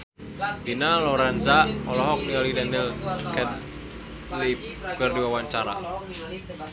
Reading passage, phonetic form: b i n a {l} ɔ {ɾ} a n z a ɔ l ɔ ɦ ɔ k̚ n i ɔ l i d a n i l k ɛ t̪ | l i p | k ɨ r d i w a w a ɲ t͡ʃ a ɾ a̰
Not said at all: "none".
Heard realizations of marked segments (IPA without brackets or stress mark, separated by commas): l, ɾ